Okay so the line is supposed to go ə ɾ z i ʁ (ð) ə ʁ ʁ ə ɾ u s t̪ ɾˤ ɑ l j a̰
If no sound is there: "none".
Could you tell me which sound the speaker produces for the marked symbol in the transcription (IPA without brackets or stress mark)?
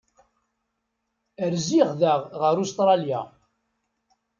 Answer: ð